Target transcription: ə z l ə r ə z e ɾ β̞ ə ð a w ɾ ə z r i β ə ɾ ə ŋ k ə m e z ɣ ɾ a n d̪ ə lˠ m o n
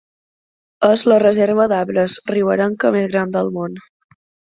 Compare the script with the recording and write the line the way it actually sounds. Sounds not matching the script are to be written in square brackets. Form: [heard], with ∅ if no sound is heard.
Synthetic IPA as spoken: ə z l ə r ə z e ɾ β̞ ə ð a [β] ɾ ə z r i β ə ɾ ə ŋ k ə m e z ɣ ɾ a n d̪ ə lˠ m o n